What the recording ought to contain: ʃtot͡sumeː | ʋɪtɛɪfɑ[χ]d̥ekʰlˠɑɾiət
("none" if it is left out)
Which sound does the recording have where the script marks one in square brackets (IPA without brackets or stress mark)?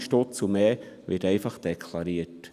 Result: χ